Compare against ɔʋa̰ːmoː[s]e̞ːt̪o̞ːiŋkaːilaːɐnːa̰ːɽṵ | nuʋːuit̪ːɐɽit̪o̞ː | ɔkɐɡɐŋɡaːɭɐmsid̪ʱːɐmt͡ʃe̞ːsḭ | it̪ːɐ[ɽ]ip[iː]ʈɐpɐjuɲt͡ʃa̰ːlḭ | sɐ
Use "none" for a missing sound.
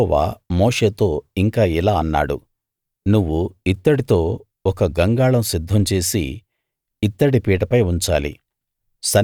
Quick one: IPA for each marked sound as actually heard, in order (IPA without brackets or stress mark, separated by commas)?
ʂ, ɽ, iː